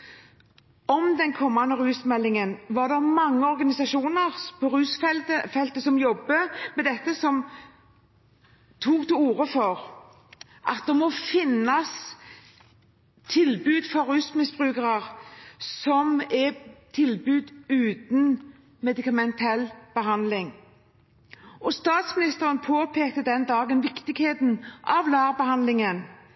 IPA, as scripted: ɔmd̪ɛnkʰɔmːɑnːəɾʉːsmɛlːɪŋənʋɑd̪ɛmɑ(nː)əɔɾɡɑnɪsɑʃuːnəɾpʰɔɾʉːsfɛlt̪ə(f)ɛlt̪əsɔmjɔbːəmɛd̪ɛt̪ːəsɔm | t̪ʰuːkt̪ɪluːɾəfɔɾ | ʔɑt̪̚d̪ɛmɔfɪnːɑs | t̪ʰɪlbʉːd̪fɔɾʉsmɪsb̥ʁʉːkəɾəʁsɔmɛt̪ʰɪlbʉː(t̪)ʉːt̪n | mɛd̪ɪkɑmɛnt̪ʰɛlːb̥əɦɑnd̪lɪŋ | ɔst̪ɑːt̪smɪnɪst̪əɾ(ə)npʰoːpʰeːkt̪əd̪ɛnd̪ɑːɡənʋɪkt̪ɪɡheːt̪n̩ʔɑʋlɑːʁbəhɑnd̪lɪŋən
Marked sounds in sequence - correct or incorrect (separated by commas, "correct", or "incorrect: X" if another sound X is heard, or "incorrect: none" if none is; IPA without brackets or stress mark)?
incorrect: ŋː, correct, incorrect: d̪, correct